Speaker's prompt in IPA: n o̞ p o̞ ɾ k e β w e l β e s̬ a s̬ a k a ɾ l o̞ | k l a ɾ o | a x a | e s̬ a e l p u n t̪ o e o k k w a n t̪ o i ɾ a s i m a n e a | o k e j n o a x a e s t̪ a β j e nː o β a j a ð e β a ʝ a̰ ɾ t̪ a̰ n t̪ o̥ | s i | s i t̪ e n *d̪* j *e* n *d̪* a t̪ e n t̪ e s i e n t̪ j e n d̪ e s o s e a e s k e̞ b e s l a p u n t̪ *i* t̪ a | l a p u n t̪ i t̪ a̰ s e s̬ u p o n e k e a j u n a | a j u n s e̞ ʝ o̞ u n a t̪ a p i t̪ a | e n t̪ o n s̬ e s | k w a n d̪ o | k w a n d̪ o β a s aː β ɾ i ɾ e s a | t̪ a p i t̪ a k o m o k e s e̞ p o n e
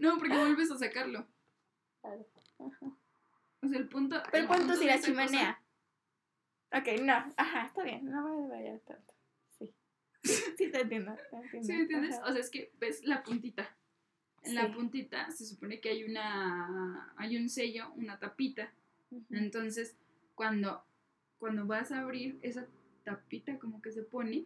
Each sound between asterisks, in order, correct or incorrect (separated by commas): incorrect, correct, correct, correct